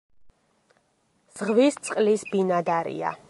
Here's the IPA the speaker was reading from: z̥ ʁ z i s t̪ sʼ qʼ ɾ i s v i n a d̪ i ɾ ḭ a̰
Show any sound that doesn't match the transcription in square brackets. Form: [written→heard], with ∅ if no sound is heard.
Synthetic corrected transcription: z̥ ʁ [z→v] i s t̪ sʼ qʼ [ɾ→l] i s [v→b] i n a d̪ [i→a] ɾ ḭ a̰